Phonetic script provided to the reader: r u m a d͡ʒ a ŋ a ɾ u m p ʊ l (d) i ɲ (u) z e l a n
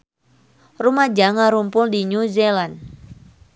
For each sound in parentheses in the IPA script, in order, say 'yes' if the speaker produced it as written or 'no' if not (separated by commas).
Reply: yes, yes